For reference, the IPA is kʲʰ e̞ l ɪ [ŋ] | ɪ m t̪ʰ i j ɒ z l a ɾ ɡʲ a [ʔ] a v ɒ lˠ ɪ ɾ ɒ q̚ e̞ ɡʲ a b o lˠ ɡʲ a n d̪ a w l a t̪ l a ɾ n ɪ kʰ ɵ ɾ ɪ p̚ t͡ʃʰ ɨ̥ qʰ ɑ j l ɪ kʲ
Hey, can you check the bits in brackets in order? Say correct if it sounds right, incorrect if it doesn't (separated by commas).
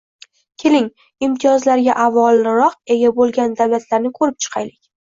correct, correct